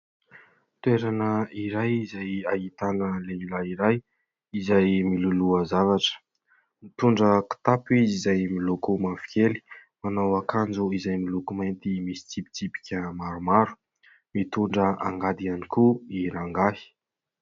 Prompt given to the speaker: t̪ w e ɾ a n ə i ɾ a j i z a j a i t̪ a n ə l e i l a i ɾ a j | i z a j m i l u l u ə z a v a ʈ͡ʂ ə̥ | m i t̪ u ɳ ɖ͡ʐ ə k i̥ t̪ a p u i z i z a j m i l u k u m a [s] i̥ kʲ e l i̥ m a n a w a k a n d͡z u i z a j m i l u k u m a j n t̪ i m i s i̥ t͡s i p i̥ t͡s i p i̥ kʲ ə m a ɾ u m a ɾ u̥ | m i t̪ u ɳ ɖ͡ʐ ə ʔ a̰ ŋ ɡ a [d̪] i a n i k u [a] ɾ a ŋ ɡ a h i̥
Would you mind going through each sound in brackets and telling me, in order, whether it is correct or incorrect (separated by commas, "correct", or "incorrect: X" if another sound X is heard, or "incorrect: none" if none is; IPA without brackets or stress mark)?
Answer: incorrect: f, correct, incorrect: i